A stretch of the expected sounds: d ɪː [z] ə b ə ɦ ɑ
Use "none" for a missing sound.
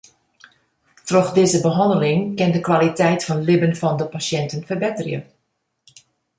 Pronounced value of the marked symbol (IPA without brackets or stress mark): z